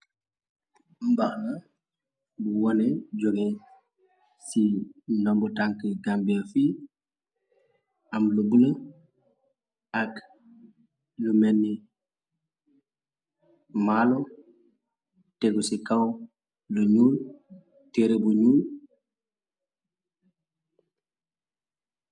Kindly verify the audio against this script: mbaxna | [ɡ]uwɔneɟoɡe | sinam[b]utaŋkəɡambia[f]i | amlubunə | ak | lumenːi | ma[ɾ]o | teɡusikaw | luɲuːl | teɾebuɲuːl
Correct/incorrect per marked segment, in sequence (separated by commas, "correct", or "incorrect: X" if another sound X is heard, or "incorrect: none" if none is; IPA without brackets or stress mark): incorrect: b, correct, correct, incorrect: l